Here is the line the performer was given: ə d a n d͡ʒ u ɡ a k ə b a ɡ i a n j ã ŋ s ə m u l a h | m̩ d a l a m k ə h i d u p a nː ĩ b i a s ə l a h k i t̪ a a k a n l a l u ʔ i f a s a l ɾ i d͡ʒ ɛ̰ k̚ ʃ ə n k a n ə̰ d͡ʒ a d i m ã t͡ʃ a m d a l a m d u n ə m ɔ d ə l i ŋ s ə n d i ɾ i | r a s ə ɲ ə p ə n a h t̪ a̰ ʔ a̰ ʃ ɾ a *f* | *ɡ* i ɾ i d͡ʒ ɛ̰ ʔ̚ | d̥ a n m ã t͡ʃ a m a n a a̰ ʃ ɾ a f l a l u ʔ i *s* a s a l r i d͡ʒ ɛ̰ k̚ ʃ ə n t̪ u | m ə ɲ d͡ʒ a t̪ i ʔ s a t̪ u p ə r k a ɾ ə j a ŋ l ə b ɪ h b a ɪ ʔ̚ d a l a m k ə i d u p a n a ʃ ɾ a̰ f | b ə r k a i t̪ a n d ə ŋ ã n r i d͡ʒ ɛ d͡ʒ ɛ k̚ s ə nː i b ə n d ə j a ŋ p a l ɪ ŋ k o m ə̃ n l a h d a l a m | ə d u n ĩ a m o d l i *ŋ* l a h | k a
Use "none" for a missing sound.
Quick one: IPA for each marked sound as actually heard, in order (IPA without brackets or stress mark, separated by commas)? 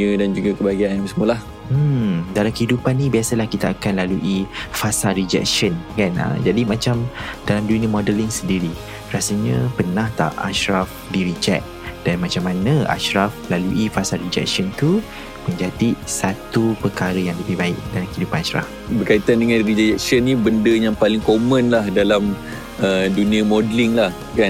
f, d, f, ŋ